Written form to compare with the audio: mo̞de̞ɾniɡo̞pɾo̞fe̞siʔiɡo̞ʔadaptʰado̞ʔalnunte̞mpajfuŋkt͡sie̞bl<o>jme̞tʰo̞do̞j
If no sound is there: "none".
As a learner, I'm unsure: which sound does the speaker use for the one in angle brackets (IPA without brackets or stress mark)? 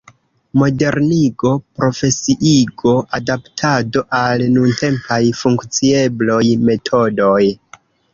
o